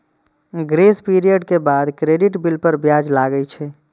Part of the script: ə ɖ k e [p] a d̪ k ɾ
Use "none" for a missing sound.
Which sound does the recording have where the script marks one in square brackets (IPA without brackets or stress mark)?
b